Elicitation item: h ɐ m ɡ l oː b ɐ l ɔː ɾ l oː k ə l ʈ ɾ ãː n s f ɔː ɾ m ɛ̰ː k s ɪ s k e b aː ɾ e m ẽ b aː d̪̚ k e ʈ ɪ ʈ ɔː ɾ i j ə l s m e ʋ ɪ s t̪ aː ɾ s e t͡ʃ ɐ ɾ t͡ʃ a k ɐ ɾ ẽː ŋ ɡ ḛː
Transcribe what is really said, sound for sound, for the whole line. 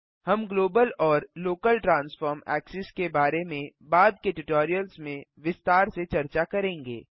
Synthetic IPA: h ɐ m ɡ l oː b ə l ɔː ɾ l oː k ə l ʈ ɾ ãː n s f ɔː ɾ m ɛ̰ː k s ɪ s k e b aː ɾ e m ẽ b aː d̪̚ k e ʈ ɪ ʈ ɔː ɾ i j ə l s m ẽ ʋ ɪ s t̪ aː ɾ s e t͡ʃ ɐ ɾ t͡ʃ a k ɐ ɾ ẽː ŋ ɡ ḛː